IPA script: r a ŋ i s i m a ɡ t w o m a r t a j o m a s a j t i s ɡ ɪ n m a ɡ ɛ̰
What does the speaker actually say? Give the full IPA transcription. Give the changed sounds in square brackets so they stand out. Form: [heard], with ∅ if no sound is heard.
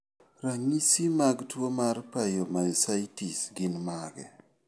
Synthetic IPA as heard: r a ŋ i s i m a ɡ t w o m a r [p] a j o m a s a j t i s ɡ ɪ n m a ɡ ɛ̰